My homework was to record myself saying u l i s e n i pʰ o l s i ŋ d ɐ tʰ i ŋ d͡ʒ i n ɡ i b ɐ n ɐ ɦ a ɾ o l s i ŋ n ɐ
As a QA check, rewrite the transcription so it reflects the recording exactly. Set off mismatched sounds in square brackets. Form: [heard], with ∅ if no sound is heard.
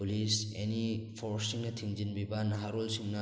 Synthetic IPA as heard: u l i s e n i pʰ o [ɾ] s i ŋ [n] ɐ tʰ i ŋ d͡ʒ i n [b] i b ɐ n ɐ ɦ a ɾ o l s i ŋ n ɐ